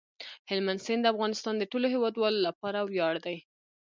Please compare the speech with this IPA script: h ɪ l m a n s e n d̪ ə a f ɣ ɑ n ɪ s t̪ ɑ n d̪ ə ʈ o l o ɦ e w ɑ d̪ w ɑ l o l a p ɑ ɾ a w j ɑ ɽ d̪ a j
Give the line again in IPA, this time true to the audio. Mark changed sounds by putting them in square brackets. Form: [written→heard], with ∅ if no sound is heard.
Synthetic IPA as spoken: h ɪ l m a n s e n d̪ ə a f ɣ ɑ n ɪ s t̪ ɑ n d̪ ə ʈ o l o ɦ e w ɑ d̪ w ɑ l o l a p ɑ ɾ a w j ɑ ɽ d̪ a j